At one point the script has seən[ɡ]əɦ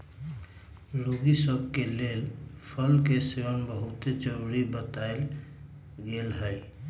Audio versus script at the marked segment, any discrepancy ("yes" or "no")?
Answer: yes